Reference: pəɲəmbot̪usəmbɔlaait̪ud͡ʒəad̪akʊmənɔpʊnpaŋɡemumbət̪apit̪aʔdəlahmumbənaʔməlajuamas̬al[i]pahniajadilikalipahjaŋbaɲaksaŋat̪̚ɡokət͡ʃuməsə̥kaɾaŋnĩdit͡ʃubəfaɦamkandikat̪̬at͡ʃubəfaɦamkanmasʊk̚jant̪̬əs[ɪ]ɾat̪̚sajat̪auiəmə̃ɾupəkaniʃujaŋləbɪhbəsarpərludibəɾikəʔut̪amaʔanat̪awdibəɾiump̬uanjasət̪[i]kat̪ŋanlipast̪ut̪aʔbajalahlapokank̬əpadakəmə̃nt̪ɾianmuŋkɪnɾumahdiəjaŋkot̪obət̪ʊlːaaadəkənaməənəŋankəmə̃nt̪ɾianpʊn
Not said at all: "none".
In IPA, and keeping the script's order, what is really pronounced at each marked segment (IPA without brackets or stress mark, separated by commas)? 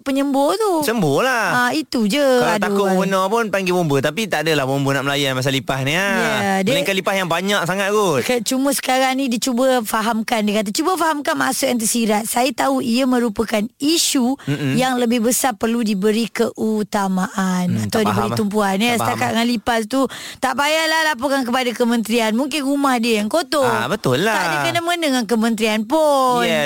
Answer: i, i, a